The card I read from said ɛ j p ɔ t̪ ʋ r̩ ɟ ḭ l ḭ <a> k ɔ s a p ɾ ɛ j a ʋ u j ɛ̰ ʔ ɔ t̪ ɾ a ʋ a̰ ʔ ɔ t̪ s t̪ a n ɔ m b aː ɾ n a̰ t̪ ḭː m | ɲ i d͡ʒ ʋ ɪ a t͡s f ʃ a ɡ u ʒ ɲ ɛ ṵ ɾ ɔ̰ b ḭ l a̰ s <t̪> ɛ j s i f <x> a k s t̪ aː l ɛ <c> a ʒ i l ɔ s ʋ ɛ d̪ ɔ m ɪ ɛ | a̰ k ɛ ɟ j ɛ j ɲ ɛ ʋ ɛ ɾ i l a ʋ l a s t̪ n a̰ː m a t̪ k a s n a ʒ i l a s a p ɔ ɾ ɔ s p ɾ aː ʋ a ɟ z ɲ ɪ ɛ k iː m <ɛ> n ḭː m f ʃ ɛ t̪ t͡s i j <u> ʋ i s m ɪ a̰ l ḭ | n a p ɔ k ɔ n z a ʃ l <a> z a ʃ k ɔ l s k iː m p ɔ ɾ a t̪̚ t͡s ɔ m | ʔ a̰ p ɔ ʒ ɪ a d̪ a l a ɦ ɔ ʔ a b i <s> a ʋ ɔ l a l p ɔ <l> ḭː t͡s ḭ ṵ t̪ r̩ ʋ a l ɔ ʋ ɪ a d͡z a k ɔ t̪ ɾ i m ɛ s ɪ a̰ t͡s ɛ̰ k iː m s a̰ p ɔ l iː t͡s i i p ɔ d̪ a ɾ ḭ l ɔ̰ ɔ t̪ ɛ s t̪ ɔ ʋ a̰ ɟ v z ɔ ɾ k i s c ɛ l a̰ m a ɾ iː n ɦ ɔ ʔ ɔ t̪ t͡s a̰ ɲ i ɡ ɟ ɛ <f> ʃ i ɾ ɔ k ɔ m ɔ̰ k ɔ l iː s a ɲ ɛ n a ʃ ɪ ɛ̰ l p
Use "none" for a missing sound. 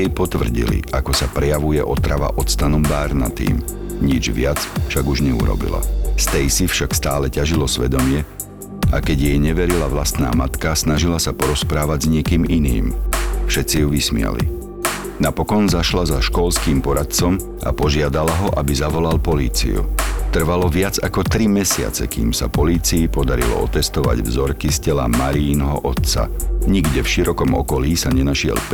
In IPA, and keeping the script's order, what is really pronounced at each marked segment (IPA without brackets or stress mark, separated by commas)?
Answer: a, t̪, ʃ, c, i, u, a, z, l, f